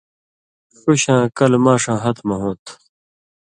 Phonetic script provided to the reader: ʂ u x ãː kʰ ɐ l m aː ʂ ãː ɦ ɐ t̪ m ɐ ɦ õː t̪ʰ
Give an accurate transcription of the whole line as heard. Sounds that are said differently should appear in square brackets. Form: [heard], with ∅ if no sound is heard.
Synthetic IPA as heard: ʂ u [ɕ] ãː [k] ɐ l m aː ʂ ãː ɦ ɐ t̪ m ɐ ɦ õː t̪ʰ